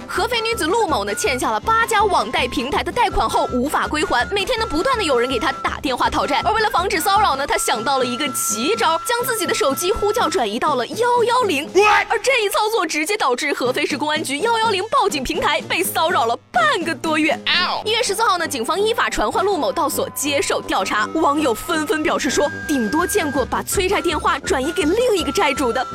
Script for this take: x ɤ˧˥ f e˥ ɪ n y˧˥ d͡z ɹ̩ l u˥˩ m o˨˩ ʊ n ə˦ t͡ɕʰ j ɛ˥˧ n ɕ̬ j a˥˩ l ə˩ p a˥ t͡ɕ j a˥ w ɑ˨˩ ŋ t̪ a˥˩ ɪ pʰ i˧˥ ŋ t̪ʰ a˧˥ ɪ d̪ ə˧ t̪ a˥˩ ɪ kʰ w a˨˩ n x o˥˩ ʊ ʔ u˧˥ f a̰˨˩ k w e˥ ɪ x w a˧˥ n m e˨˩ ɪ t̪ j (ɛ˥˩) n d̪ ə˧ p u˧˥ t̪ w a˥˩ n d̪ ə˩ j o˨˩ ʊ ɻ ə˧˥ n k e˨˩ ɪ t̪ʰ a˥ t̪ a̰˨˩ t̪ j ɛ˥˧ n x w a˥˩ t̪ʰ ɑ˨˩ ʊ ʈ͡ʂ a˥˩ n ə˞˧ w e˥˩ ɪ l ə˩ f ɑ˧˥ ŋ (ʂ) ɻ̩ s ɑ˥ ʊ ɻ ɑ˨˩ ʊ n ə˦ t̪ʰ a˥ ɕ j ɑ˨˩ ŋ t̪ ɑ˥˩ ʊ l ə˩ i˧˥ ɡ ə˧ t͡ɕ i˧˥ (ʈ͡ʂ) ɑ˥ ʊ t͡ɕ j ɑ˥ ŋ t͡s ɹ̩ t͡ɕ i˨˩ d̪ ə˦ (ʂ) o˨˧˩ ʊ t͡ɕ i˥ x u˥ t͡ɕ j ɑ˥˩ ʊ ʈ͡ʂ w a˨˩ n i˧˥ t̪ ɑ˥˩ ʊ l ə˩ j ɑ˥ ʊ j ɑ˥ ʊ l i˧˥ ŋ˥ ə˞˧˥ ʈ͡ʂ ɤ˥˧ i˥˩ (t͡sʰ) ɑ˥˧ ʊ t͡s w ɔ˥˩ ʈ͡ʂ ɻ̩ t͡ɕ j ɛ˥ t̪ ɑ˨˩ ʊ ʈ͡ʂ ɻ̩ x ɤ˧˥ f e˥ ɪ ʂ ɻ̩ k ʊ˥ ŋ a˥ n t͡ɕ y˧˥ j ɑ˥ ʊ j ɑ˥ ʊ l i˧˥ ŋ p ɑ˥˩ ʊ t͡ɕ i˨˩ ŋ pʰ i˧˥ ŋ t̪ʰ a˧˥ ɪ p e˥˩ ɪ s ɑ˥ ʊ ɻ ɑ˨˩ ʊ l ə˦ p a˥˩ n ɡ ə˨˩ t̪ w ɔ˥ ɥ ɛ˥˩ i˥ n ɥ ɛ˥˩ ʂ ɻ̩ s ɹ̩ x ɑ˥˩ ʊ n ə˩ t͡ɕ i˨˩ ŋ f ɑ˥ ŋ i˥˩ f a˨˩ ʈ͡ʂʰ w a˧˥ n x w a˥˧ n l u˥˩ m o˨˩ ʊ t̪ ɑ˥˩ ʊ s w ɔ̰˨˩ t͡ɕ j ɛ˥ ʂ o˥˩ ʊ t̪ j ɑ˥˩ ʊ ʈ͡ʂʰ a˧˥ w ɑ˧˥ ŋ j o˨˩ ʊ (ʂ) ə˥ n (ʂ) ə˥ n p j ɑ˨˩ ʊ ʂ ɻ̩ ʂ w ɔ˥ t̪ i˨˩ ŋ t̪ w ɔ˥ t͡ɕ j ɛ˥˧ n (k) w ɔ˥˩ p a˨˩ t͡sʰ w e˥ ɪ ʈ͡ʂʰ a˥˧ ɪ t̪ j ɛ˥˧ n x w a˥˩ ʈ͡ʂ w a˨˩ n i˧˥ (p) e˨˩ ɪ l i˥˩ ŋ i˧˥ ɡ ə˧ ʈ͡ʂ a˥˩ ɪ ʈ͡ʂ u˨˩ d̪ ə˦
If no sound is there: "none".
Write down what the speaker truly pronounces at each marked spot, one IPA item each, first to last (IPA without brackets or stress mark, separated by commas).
ɛ˥, ʈ͡ʂ, ʈ͡ʂ, ʂ, t͡sʰ, f, f, k, k